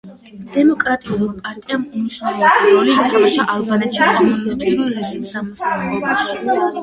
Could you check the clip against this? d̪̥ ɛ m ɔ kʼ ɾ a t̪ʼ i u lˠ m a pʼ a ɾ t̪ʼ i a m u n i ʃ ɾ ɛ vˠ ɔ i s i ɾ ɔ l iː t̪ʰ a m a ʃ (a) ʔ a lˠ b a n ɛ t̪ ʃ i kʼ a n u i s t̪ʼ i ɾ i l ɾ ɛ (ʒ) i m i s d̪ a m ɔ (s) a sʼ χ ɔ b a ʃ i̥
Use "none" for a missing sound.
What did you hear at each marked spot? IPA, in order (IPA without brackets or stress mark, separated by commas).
a, ʒ, s